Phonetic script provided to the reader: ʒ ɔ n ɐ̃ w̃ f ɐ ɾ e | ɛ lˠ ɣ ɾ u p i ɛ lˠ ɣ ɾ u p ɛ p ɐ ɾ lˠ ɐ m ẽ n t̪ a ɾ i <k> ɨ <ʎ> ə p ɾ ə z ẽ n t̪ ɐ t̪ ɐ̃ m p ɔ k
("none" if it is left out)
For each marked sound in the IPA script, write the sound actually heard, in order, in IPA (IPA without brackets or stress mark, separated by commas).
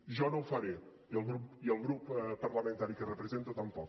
k, r